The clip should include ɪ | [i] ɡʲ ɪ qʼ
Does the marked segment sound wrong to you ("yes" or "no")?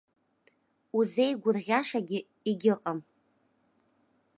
no